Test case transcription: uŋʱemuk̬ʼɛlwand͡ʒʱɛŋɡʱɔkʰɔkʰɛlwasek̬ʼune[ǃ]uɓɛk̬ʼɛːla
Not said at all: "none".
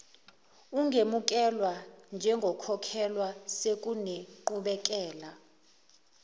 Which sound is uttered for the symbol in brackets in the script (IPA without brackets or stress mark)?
ǃ